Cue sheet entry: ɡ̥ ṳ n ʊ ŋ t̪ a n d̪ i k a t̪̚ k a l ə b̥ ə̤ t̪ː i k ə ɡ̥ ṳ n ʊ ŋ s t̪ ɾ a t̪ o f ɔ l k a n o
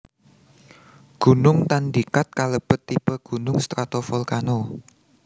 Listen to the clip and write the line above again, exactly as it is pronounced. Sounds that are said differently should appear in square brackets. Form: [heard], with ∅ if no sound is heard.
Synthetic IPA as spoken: ɡ̥ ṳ n ʊ ŋ t̪ a n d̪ i k a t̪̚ k a l ə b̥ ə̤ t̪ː i [p] ə ɡ̥ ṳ n ʊ ŋ s t̪ ɾ a t̪ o f ɔ l k a n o